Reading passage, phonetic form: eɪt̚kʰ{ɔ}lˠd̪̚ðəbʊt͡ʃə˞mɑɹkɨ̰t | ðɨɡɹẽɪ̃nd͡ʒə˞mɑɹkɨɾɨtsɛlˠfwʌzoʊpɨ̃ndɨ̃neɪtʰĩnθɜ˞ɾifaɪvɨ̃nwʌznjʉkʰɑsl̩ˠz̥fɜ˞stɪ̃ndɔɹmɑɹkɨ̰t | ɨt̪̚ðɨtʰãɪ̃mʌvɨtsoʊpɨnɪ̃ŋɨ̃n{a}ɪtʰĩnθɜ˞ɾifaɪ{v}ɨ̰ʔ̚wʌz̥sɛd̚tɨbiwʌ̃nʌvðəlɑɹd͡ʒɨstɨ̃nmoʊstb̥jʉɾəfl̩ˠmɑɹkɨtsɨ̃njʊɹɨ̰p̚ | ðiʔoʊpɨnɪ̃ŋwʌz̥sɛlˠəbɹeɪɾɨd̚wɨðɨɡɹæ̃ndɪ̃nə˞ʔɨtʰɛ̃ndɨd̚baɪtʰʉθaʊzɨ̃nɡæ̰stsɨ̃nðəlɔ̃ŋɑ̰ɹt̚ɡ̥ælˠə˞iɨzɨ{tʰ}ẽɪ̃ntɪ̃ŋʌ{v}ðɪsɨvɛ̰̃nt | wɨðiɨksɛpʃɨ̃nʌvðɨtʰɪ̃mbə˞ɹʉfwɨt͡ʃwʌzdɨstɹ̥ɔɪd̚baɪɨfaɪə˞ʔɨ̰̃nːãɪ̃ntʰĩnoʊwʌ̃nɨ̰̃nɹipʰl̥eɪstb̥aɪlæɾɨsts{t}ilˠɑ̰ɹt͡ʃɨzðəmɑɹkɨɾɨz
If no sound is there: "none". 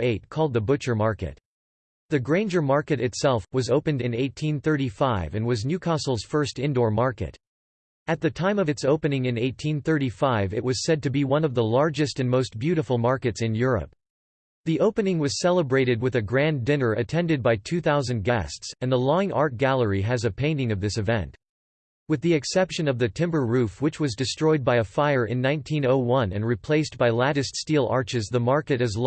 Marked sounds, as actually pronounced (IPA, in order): ɔ, e, v, pʰ, v, t

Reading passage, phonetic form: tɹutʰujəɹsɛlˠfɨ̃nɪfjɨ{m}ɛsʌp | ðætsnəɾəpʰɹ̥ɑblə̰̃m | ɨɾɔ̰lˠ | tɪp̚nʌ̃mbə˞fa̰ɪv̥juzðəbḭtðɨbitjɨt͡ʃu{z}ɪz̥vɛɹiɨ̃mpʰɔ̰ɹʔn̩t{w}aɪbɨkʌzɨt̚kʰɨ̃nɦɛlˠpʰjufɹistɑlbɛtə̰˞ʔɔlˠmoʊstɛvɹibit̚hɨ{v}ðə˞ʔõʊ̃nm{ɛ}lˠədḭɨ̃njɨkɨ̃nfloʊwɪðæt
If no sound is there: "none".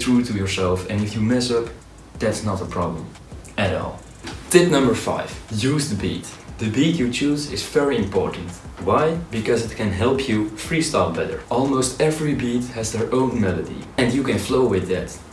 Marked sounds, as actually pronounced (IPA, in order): m, z, w, z, ɛ

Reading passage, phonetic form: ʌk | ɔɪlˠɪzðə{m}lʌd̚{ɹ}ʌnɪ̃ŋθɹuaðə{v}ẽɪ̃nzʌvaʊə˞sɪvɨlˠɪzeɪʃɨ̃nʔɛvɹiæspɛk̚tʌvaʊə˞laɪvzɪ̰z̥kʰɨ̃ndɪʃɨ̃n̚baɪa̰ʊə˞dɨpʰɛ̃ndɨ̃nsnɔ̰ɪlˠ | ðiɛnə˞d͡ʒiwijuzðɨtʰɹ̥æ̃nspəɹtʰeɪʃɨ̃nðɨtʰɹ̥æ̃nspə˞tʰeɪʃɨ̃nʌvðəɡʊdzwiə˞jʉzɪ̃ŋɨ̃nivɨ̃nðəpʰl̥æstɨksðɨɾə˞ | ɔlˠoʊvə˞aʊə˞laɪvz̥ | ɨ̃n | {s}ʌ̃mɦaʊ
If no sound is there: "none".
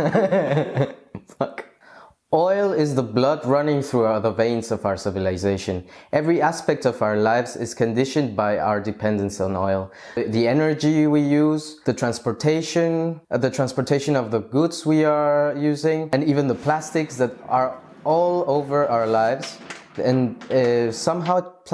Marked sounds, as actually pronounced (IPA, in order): b, ɹ, v, s

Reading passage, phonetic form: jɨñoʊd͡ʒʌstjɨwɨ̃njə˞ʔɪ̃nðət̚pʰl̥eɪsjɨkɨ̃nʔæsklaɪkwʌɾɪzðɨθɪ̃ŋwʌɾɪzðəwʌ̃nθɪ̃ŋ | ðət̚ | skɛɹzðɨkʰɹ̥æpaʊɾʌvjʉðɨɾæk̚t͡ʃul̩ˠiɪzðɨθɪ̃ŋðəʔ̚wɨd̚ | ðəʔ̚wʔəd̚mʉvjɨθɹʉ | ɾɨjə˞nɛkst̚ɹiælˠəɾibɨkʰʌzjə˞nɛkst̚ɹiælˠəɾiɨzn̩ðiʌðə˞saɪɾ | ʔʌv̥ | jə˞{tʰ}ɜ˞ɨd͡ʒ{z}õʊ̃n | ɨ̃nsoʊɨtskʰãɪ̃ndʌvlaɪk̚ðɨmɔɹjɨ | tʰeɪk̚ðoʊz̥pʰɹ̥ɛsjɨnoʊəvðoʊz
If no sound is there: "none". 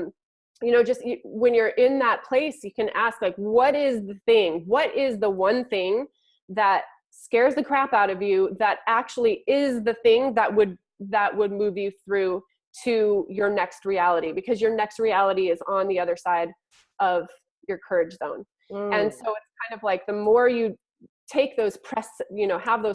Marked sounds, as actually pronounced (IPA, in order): kʰ, z

